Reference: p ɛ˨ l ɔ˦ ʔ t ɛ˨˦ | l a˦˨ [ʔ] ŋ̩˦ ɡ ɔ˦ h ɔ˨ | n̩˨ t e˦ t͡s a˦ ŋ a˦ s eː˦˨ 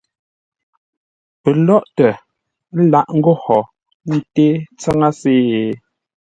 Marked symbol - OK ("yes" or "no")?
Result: yes